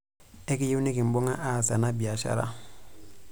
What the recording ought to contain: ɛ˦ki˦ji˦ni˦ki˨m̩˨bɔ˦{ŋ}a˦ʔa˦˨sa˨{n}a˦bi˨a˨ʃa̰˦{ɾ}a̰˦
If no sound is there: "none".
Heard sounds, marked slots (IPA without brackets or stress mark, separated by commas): ŋ, n, ɾ